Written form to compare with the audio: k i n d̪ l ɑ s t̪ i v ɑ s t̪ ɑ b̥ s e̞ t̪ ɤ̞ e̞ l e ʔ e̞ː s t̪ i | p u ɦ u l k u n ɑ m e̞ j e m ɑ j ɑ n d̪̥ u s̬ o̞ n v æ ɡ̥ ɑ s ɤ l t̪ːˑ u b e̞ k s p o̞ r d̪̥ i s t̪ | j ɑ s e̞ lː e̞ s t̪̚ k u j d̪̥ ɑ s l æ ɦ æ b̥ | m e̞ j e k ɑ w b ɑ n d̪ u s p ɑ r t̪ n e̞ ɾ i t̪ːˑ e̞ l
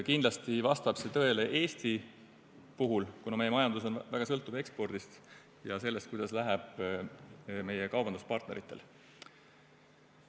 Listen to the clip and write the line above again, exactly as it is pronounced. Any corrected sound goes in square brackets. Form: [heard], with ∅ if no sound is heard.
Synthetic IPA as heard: k i n d̪ l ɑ s t̪ i v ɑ s t̪ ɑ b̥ s e̞ t̪ ɤ̞ e̞ l e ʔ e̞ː s t̪ i | p u ɦ u l k u n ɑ m e̞ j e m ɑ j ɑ n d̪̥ u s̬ o̞ n v æ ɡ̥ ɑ s ɤ l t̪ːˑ u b e̞ k s p o̞ r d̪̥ i s t̪ | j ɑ s e̞ lː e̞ s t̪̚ k u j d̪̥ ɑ s l æ ɦ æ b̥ | m e̞ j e k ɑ w b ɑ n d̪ u s p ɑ r t̪ n e̞ ɾ i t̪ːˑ e̞ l